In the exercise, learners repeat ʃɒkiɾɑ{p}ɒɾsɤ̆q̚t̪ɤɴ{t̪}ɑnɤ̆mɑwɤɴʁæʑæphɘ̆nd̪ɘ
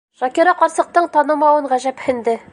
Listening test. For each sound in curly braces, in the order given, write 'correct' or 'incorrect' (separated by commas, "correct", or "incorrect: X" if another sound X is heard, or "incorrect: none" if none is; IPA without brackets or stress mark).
incorrect: q, correct